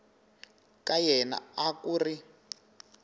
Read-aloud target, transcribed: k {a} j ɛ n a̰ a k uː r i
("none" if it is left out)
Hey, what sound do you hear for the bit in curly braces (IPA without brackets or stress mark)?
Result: a